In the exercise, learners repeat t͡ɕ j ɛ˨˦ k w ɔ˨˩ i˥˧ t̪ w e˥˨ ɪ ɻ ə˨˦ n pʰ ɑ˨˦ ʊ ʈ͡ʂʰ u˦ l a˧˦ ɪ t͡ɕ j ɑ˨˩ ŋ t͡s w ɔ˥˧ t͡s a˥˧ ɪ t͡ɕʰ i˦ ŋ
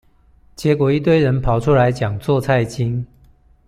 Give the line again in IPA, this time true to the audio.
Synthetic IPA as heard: t͡ɕ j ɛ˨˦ k w ɔ˨˩ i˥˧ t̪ w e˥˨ ɪ ɻ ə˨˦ n pʰ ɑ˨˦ ʊ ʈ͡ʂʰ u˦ l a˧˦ ɪ t͡ɕ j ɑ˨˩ ŋ t͡s w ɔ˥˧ t͡sʰ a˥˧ ɪ t͡ɕ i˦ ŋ